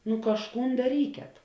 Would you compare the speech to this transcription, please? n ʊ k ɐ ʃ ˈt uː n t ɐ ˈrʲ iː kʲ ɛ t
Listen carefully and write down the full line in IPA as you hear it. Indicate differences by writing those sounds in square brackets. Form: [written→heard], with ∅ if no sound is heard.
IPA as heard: n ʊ k ɐ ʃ [ˈt→ˈk] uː n [t→d] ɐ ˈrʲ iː kʲ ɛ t